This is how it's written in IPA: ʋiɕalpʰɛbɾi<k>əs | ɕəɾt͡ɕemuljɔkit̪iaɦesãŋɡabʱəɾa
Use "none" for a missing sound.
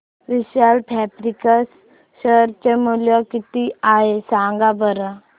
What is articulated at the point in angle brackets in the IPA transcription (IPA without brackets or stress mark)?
k